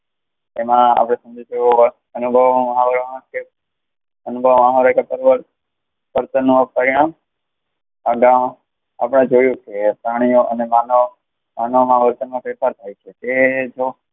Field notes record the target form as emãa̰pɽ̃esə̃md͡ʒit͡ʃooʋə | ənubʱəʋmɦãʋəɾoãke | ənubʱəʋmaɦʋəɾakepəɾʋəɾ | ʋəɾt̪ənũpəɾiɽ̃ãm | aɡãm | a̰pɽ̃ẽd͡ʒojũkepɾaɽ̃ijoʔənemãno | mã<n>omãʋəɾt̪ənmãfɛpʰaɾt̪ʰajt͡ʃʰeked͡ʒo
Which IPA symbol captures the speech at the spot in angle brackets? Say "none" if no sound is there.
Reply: n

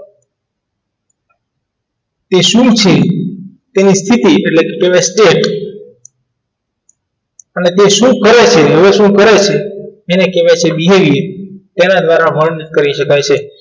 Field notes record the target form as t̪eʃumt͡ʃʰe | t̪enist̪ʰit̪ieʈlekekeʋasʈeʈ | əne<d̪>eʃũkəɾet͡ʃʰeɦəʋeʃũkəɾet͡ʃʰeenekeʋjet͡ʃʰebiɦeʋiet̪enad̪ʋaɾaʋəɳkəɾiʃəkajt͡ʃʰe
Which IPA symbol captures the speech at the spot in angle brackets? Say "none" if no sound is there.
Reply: t̪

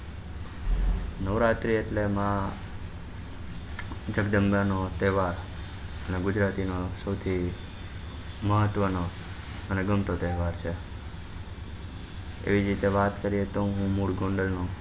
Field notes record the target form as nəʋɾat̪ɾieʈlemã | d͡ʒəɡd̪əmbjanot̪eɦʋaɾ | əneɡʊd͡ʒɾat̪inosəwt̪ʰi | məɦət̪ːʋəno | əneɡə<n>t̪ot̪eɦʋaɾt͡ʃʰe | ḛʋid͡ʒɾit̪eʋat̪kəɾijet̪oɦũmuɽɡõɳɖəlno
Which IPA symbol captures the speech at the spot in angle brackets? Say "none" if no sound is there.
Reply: m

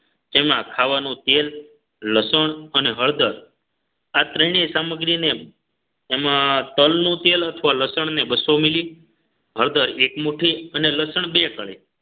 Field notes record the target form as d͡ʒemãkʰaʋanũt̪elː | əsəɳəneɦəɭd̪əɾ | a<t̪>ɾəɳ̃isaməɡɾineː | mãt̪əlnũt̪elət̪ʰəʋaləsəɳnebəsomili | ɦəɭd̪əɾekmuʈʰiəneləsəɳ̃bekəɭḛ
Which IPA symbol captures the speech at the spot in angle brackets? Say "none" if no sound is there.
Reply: t̪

